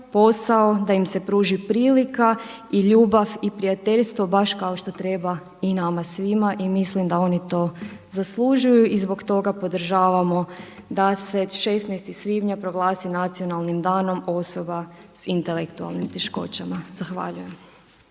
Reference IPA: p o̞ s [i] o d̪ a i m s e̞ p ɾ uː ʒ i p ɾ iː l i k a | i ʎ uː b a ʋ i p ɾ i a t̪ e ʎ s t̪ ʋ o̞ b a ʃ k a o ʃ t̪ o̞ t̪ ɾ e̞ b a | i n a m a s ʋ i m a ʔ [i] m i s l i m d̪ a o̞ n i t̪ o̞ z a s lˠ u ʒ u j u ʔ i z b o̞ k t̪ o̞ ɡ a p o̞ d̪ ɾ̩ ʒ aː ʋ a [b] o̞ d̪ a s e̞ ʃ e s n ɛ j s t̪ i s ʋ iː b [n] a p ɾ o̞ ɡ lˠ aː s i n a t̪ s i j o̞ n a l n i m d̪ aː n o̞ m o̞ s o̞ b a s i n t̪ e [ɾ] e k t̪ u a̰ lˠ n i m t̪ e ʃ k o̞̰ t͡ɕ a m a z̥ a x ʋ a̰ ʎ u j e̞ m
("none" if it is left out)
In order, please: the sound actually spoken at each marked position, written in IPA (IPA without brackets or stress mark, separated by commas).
a, i, m, ɲ, l